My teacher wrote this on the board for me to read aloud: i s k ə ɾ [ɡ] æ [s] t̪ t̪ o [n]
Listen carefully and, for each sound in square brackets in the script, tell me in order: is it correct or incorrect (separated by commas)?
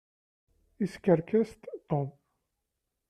incorrect, correct, incorrect